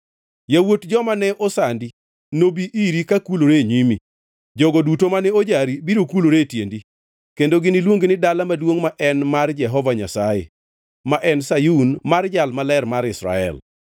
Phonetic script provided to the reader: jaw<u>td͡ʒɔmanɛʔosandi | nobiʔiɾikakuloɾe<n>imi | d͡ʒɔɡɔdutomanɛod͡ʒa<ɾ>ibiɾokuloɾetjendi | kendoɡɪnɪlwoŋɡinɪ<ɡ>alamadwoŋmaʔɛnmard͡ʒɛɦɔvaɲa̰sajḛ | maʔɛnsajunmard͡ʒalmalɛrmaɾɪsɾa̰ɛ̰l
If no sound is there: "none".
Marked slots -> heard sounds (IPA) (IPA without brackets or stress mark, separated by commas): o, ɲ, ɾ, d